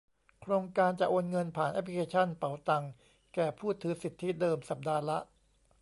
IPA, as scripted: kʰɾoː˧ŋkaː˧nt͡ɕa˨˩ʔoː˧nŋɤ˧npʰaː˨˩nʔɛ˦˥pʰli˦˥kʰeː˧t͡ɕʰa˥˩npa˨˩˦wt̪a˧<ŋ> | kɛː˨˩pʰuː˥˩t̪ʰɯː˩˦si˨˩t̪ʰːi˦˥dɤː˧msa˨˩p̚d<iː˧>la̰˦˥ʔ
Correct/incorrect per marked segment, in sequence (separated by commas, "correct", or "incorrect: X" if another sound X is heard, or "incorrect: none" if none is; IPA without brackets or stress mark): correct, incorrect: aː˧